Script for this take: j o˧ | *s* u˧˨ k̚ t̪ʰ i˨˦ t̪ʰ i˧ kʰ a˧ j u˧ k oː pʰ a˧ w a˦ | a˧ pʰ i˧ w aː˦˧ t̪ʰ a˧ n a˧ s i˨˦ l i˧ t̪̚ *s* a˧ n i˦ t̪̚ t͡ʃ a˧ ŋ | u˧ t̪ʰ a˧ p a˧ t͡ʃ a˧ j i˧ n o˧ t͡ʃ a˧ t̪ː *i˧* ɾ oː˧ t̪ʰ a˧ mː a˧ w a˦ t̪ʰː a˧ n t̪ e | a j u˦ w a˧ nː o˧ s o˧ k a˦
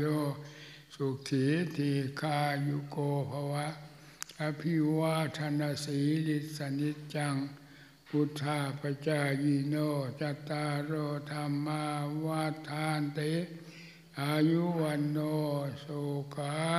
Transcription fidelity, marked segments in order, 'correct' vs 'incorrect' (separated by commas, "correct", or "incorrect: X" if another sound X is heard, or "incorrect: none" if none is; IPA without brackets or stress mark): correct, correct, incorrect: a˧